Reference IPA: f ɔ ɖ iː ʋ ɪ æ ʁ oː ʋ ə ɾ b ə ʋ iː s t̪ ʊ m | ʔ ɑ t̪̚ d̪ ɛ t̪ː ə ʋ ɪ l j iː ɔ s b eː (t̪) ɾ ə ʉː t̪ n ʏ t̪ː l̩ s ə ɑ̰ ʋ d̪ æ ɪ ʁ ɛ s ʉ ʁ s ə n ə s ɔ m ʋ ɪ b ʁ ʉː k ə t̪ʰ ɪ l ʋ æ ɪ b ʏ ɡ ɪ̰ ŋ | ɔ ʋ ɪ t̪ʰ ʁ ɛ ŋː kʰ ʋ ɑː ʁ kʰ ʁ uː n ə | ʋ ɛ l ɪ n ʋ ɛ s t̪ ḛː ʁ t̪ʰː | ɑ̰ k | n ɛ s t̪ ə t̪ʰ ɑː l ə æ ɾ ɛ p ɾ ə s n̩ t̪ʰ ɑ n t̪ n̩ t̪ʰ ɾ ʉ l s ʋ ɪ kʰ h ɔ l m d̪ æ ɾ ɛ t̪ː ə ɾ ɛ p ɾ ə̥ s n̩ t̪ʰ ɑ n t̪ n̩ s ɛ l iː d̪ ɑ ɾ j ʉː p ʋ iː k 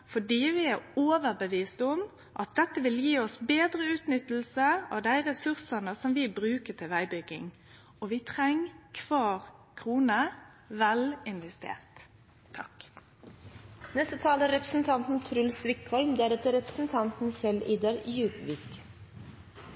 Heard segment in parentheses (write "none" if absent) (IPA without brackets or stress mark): d̪